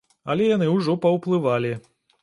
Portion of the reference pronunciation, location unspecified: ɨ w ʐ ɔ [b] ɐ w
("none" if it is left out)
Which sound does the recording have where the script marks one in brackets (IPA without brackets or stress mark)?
p